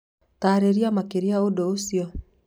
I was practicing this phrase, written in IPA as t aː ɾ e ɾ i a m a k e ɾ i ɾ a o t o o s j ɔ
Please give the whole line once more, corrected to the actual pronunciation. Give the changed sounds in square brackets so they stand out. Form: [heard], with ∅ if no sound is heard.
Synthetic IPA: t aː ɾ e ɾ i a m a k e ɾ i [∅] a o [d] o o s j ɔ

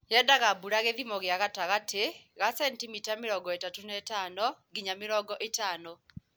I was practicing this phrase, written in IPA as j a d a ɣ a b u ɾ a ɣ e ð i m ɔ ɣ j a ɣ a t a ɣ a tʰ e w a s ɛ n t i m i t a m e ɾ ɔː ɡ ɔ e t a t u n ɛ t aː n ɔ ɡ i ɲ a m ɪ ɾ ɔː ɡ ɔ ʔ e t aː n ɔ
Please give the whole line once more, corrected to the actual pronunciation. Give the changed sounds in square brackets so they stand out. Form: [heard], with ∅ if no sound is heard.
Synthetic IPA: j [ɛ] d a ɣ a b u ɾ a ɣ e ð i m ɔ ɣ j a ɣ a t a ɣ a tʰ e [ɣ] a s ɛ n t i m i t a m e ɾ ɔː ɡ ɔ e t a t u n ɛ t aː n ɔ ɡ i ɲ a m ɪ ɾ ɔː ɡ ɔ ʔ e t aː n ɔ

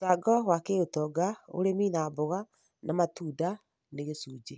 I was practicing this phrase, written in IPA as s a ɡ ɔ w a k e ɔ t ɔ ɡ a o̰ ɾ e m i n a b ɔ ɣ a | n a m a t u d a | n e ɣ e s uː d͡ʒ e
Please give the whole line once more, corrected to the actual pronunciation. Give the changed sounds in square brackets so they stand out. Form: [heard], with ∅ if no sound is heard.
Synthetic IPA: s a ɡ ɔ w a k e [o] t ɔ ɡ a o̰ ɾ e m i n a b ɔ ɣ a | n a m a t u d a | n e ɣ e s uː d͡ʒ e

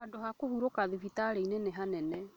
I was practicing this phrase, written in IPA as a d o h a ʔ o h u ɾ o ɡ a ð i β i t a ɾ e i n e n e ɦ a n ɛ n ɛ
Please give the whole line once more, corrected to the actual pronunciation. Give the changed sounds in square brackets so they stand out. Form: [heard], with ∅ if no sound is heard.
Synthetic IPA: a d o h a [k] o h u ɾ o [k] a ð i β i t a ɾ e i n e n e ɦ a n ɛ n ɛ

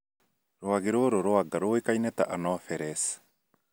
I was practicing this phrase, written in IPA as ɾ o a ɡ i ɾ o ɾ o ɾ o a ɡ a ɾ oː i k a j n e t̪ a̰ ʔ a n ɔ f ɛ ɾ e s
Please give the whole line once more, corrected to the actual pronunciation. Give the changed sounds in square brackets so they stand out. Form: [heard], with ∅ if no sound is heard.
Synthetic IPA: ɾ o a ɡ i ɾ o ɾ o ɾ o a ɡ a ɾ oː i k a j n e t̪ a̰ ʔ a n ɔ f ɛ ɾ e s

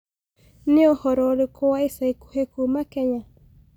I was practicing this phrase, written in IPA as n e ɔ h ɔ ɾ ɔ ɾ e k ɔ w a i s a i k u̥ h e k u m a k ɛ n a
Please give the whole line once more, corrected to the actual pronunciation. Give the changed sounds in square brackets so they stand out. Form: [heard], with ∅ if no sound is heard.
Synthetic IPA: n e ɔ h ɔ ɾ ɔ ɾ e k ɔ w a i s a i k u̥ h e k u m a k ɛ [ɲ] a

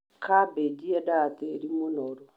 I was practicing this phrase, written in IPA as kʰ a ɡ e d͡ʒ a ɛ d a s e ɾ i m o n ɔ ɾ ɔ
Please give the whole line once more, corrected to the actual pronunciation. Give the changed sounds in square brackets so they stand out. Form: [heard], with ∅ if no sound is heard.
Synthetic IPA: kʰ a [b] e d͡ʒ [i] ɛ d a [t] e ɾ i m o n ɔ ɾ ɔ

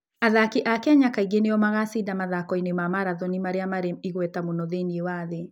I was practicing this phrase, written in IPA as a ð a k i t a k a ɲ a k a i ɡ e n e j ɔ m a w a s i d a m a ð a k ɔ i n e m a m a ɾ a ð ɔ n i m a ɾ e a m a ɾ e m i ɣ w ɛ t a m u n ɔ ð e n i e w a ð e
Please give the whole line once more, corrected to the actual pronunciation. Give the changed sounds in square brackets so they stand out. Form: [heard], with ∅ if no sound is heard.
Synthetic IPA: a ð a k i [ʔ] a k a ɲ a k a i ɡ e n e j ɔ m a [ɣ] a s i d a m a ð a k ɔ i n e m a m a ɾ a ð ɔ n i m a ɾ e a m a ɾ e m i ɣ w ɛ t a m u n ɔ ð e n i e w a ð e

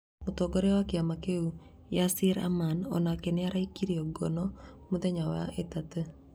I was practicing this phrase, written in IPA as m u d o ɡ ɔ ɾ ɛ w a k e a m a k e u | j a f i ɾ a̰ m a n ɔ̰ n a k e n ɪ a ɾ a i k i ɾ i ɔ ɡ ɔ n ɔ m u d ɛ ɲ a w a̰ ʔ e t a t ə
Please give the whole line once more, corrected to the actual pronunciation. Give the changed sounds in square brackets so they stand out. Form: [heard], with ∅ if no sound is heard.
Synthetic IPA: m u [t] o ɡ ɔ ɾ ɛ w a k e a m a k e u | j a [s] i ɾ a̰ m a n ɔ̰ n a k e n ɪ a ɾ a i k i ɾ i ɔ ɡ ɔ n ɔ m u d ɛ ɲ a w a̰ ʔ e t a t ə

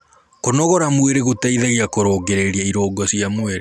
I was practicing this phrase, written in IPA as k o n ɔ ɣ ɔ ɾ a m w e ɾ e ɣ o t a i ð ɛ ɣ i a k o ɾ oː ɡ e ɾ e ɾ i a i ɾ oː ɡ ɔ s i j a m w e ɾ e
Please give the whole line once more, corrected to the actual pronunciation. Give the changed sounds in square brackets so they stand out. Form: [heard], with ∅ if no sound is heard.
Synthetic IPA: k o n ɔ ɣ ɔ ɾ a m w e ɾ e ɣ o t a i ð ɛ ɣ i a k o ɾ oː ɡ e ɾ e ɾ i a i ɾ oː ɡ ɔ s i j a m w e ɾ e

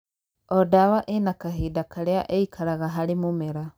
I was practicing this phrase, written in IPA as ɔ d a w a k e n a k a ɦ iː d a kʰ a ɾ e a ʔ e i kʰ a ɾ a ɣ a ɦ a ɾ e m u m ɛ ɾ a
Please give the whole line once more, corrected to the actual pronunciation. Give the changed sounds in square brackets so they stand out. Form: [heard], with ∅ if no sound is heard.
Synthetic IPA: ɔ d a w a [ʔ] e n a k a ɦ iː d a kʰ a ɾ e a ʔ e i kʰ a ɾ a ɣ a ɦ a ɾ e m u m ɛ ɾ a

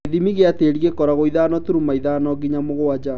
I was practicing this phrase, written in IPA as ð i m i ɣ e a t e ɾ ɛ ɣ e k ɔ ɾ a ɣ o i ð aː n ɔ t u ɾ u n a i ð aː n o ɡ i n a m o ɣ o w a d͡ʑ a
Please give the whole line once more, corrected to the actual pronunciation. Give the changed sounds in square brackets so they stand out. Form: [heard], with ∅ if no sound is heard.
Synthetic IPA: ð i m i ɣ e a t e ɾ [i] ɣ e k ɔ ɾ a ɣ o i ð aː n ɔ t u ɾ u [m] a i ð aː n [ɔ] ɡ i [ɲ] a m o ɣ o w a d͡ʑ a

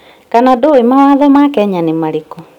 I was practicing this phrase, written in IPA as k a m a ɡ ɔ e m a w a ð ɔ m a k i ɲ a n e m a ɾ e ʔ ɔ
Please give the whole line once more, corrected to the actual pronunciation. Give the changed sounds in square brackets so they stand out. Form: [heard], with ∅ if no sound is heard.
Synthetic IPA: k a [n] a [d] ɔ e m a w a ð ɔ m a k [ɛ] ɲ a n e m a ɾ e [k] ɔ

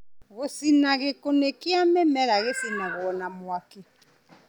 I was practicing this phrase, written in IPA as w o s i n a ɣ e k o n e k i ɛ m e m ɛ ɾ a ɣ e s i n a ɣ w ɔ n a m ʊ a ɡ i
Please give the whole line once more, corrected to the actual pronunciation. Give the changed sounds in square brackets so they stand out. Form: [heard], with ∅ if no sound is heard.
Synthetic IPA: [ɣ] o s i n a ɣ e k o n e k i [a] m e m ɛ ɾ a ɣ e s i n a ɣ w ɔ n a m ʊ a [k] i

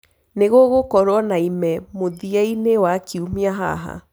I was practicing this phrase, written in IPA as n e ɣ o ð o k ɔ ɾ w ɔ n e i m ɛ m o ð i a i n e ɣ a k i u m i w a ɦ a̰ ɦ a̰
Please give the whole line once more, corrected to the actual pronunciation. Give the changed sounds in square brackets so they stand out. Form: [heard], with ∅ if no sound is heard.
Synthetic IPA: n e ɣ o [ɣ] o k ɔ ɾ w ɔ n [a] i m ɛ m o ð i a i n e [w] a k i u m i [∅] a ɦ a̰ ɦ a̰

